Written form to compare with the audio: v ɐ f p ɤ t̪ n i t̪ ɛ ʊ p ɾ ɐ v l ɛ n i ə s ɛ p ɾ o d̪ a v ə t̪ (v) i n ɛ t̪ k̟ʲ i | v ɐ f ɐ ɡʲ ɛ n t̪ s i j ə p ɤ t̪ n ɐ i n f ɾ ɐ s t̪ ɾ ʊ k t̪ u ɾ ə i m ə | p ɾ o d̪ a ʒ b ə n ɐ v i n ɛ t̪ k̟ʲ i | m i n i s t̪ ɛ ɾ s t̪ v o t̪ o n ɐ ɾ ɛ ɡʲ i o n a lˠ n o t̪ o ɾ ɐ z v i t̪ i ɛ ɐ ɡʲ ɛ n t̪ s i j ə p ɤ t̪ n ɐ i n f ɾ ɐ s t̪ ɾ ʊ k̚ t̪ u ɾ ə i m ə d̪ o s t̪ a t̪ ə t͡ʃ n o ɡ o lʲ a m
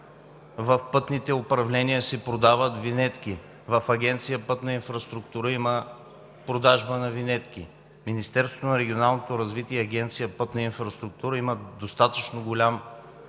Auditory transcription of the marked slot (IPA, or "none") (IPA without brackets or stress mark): v